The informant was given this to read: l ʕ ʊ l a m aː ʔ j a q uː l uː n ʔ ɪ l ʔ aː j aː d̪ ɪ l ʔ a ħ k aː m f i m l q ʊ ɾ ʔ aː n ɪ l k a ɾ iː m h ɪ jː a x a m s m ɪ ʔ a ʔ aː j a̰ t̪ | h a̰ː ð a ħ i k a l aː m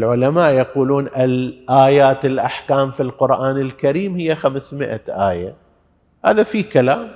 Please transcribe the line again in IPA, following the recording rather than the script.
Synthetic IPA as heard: l ʕ ʊ l a m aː ʔ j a q uː l uː n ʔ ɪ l ʔ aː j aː t̪ ɪ l ʔ a ħ k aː m f i l q ʊ ɾ ʔ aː n ɪ l k a ɾ iː m h ɪ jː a x a m s m ɪ ʔ a ʔ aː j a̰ | h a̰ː ð a f i k a l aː m